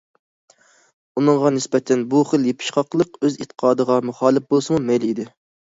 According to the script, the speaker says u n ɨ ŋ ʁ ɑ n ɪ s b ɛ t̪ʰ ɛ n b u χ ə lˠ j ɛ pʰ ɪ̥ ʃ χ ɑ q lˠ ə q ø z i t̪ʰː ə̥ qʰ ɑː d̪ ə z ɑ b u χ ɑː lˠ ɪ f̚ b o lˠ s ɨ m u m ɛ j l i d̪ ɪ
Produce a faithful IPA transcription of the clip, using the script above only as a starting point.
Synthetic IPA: u n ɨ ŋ ʁ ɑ n ɪ s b ɛ t̪ʰ ɛ n b u χ ə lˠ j e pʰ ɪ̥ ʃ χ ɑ q lˠ ə q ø z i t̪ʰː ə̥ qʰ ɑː d̪ ə ʁ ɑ m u χ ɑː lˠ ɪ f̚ b o lˠ s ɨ m u m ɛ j l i d̪ ɪ